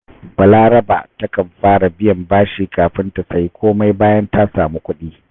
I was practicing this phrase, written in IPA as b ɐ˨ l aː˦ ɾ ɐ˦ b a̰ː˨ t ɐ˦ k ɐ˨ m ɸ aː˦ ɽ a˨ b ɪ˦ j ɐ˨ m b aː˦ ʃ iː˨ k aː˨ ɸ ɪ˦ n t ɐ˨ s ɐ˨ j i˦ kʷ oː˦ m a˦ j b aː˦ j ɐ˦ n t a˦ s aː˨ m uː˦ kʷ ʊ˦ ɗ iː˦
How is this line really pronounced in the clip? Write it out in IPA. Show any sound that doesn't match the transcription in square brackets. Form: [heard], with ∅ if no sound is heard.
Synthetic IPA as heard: b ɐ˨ l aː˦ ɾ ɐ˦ b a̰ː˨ t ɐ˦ k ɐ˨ m ɸ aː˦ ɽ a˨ b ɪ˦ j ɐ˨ m b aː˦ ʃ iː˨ k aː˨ ɸ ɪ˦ n t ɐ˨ s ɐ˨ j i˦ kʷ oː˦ m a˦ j b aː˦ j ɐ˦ n t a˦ s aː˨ m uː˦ kʷ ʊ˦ ɗ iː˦